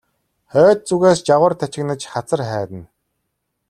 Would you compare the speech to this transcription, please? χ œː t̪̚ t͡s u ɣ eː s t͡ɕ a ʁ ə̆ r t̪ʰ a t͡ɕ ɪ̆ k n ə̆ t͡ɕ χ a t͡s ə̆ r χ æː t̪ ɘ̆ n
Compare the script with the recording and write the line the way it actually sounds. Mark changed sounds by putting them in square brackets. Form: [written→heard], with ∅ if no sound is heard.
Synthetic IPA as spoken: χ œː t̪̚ t͡s u ɣ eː s t͡ɕ a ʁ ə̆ r t̪ʰ a t͡ɕ ɪ̆ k n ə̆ t͡ɕ χ a t͡s ə̆ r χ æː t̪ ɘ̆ n

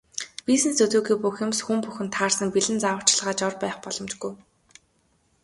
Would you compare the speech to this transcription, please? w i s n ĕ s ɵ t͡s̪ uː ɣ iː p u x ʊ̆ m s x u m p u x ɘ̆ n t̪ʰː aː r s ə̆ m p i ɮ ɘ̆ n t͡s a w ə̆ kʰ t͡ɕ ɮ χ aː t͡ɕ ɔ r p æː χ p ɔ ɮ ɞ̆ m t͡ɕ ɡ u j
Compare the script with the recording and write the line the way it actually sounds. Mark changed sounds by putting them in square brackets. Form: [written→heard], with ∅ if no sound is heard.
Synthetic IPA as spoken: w i s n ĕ s ɵ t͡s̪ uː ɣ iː p u x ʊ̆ m s x u m p u x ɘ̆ n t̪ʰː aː r s ə̆ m p i ɮ ɘ̆ n t͡s a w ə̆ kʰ t͡ɕ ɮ [χ→ʁ] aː t͡ɕ ɔ r p æː χ p ɔ ɮ ɞ̆ m t͡ɕ ɡ u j

